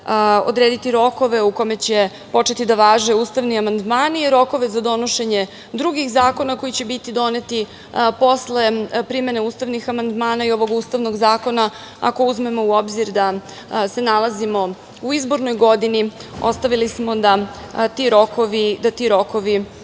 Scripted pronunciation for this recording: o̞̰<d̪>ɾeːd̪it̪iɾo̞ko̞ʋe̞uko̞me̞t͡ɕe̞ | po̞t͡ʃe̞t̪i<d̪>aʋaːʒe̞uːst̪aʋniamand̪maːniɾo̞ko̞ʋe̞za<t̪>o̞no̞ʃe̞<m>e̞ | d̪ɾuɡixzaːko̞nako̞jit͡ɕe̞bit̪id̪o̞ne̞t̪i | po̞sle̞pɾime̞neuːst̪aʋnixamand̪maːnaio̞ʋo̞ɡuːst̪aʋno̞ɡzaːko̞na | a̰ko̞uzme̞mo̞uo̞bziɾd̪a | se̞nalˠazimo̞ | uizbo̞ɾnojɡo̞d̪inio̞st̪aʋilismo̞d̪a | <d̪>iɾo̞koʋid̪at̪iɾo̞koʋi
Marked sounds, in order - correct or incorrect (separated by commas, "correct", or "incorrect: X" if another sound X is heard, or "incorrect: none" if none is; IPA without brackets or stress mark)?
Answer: correct, correct, incorrect: d̪, incorrect: ɲ, incorrect: t̪